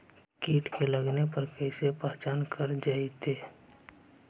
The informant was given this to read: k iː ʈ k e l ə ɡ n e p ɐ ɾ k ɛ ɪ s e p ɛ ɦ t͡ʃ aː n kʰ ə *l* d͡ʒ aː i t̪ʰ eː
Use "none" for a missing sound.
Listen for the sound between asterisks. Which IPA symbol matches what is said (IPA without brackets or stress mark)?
ɾ